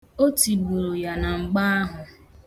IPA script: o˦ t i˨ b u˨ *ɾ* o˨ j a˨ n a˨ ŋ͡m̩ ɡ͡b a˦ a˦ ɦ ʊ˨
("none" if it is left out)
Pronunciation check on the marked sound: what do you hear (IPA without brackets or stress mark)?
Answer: ɾ